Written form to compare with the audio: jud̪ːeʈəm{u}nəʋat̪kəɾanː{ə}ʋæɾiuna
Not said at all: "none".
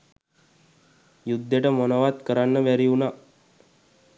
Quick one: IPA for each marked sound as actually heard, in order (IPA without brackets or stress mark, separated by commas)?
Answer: o, ə